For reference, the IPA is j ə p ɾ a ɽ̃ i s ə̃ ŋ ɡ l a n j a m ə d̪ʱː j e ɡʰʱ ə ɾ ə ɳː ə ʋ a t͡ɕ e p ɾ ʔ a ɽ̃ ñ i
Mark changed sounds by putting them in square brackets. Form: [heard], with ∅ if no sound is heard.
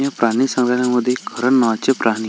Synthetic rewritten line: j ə p ɾ a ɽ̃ i s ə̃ ŋ ɡ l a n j a m ə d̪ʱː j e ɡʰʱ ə ɾ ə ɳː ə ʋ a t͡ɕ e p ɾ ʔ a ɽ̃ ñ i